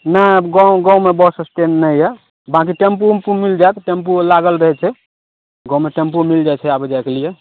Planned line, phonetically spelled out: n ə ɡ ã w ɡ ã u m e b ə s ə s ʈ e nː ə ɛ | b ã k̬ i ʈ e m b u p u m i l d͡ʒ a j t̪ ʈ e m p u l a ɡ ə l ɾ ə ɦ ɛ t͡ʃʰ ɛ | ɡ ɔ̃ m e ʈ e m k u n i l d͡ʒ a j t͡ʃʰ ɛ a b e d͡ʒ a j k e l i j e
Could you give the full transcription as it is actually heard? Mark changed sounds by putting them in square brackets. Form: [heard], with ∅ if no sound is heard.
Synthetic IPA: n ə ɡ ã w ɡ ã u m e b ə s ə s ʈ e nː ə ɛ | b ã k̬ i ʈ e m [p] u p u m i l d͡ʒ a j t̪ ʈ e m p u l a ɡ ə l ɾ ə ɦ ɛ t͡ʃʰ ɛ | ɡ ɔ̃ m e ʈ e m [p] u [m] i l d͡ʒ a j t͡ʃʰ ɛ a b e d͡ʒ a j k e l i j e